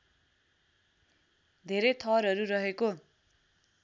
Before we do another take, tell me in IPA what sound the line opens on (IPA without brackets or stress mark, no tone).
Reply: d̪ʱ